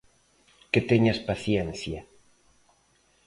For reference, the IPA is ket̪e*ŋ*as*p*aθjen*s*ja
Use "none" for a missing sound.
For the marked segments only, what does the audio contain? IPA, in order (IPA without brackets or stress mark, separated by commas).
ɲ, p, θ